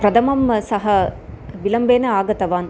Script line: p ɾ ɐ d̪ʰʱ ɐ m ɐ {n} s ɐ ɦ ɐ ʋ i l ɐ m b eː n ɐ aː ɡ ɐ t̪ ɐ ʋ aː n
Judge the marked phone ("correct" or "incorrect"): incorrect